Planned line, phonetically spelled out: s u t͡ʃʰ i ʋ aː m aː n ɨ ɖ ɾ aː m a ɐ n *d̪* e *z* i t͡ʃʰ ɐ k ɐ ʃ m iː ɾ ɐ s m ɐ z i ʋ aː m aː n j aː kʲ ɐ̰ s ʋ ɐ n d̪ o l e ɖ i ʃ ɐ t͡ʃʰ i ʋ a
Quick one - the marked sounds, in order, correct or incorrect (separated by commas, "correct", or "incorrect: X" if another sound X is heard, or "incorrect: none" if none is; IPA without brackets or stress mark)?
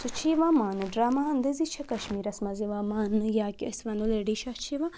correct, correct